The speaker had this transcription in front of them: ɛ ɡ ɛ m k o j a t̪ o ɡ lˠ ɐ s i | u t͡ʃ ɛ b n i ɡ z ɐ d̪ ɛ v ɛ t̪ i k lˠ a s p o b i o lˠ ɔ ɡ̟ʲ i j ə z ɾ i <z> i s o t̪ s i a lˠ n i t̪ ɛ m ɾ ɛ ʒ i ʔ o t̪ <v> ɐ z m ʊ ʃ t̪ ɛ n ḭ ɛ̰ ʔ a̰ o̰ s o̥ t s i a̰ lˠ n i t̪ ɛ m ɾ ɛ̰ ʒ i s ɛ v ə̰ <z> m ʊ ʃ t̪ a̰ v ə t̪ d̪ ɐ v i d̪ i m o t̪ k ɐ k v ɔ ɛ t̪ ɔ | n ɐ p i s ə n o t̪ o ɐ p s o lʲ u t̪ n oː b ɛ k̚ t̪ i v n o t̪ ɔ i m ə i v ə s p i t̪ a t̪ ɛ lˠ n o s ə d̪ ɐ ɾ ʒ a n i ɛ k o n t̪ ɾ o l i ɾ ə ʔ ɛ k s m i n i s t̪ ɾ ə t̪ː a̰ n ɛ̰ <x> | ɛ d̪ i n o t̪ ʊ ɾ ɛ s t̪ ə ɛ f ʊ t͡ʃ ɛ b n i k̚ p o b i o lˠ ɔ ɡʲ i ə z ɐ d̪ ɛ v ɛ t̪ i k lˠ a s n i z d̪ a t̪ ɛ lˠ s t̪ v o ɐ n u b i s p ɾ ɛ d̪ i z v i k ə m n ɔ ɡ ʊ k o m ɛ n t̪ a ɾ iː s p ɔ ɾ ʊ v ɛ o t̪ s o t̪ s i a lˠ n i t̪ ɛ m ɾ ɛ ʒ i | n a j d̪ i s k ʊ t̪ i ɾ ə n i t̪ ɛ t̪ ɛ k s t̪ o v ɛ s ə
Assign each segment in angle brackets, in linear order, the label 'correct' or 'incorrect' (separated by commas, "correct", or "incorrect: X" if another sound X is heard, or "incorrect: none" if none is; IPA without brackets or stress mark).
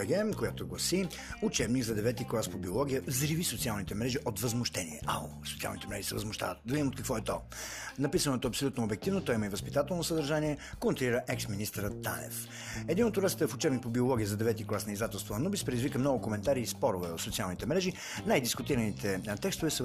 incorrect: v, correct, correct, incorrect: f